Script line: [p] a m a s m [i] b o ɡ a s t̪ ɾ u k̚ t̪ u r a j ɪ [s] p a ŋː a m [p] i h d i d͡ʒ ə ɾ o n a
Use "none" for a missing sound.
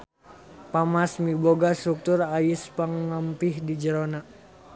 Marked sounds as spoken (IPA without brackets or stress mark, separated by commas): p, i, s, p